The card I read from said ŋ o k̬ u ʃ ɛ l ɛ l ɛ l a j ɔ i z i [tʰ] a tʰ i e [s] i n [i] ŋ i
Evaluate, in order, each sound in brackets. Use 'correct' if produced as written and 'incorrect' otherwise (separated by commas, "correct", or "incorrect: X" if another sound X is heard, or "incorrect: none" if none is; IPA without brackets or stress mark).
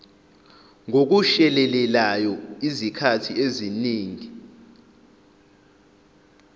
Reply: incorrect: kʰ, incorrect: z, incorrect: iː